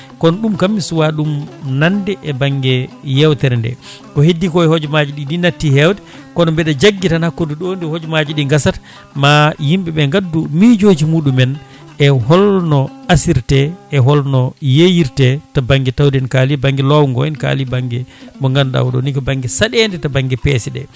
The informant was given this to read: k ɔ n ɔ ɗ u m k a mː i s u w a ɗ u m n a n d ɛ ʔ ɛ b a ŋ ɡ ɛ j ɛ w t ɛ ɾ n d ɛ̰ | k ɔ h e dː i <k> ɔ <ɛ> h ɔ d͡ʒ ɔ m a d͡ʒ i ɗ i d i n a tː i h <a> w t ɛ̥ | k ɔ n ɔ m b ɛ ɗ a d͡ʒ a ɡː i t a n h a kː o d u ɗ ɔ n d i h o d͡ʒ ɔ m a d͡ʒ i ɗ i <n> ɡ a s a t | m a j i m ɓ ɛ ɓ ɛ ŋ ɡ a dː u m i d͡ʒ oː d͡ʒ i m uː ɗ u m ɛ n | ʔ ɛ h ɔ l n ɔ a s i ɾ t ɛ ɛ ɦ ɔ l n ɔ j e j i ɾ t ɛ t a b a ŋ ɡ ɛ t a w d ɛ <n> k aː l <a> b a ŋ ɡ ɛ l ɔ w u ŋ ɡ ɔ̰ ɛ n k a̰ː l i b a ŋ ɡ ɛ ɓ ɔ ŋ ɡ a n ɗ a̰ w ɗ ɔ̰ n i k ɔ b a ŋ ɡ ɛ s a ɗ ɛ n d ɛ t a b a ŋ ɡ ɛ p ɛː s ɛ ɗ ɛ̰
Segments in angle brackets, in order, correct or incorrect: correct, correct, incorrect: ɛ, incorrect: ŋ, correct, incorrect: i

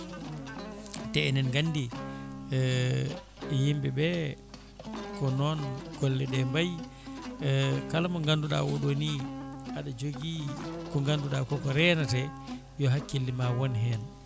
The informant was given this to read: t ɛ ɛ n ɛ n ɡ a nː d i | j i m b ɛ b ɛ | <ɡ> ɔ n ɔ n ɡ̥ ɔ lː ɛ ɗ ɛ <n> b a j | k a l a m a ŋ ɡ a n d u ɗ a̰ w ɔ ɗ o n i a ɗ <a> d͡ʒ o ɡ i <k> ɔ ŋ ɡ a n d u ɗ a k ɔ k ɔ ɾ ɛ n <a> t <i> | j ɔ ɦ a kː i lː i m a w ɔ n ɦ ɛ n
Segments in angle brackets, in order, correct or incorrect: incorrect: k, incorrect: m, correct, correct, correct, incorrect: ɛ

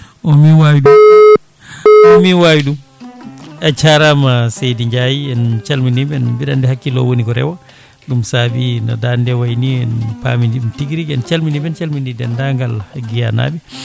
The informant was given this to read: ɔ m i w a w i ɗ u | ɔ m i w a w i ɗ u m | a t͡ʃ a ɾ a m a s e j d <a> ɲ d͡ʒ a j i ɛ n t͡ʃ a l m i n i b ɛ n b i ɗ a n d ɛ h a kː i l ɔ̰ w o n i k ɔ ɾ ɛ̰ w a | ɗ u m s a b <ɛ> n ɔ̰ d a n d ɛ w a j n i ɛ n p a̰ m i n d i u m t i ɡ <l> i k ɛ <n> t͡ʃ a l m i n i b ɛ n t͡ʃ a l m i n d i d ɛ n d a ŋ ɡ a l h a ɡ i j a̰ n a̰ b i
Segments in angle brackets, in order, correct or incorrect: incorrect: i, incorrect: i, incorrect: ɾ, correct

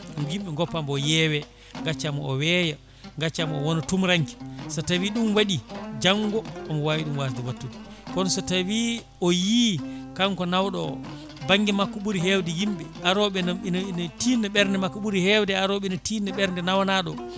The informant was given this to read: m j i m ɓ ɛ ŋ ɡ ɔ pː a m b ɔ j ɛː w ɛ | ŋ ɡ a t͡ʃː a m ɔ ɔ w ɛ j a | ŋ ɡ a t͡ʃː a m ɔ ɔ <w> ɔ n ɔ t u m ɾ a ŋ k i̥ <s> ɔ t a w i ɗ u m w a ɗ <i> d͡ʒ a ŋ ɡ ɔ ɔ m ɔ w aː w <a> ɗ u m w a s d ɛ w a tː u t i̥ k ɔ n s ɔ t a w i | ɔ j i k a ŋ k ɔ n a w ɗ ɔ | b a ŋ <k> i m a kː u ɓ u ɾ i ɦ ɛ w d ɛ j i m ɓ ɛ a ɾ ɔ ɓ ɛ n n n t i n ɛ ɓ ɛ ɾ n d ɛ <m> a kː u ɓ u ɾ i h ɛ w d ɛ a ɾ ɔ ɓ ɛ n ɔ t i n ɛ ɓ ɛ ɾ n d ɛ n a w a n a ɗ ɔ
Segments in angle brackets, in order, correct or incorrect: correct, correct, correct, incorrect: i, incorrect: ɡ, correct

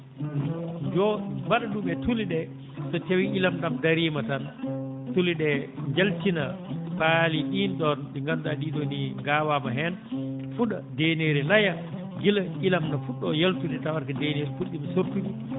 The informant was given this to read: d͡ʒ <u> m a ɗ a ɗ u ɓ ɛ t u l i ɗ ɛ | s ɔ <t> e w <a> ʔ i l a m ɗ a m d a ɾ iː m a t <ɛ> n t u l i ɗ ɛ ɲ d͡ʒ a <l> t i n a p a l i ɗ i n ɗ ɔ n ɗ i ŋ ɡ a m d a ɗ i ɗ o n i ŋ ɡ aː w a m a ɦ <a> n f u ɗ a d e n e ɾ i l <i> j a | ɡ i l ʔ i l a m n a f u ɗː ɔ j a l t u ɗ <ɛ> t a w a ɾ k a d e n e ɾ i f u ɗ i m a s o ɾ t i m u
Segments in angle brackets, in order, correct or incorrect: incorrect: ɔ, correct, incorrect: i, incorrect: a, correct, incorrect: ɛ, incorrect: a, correct

